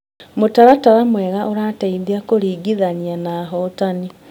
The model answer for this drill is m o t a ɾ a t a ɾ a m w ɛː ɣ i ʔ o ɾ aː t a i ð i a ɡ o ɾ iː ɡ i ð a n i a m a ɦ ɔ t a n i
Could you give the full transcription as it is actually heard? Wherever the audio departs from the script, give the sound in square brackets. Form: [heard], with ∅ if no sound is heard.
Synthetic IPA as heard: m o t a ɾ a t a ɾ a m w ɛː ɣ [a] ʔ o ɾ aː t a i ð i a [k] o ɾ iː ɡ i ð a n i a [n] a ɦ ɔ t a n i